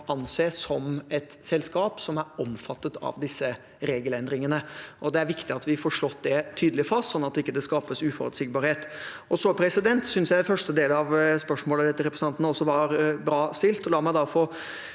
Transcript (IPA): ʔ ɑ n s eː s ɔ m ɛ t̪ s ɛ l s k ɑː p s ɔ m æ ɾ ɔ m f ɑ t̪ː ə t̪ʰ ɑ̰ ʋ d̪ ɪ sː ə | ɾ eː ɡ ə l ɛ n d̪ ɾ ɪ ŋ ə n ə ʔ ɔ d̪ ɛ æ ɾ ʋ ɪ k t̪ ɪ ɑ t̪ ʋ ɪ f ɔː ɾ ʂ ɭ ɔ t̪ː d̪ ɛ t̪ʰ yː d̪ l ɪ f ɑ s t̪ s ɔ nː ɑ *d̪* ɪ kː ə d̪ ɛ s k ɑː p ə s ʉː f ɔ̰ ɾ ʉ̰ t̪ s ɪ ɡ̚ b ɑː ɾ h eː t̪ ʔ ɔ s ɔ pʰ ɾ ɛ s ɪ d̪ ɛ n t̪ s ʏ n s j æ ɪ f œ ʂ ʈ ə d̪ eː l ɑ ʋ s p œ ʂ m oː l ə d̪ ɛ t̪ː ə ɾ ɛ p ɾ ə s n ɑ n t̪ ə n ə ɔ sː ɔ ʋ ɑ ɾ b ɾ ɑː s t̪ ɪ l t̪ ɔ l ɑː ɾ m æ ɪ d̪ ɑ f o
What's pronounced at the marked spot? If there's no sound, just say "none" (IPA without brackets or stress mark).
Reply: t̪